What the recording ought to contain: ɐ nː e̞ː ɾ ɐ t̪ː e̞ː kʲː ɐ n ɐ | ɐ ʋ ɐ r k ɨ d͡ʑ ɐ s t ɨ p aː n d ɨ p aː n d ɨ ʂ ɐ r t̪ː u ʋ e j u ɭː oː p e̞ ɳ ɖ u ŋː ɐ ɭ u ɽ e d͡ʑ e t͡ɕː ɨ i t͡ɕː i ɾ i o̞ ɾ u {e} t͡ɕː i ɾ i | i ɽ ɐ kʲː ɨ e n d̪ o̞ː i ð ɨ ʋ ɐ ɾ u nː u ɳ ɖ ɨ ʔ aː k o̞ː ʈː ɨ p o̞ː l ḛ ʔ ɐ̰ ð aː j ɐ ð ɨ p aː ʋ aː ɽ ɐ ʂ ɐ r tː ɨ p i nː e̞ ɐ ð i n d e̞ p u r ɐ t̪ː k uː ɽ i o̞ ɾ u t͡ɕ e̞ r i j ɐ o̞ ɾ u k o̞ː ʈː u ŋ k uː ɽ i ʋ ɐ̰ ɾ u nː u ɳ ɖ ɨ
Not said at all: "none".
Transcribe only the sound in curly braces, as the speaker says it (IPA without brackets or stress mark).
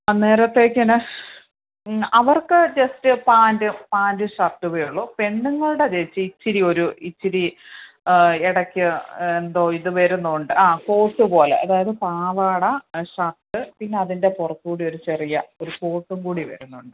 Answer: i